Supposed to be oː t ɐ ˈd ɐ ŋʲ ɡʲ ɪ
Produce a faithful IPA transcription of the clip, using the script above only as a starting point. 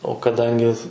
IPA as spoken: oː k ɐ ˈd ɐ ŋʲ ɡʲ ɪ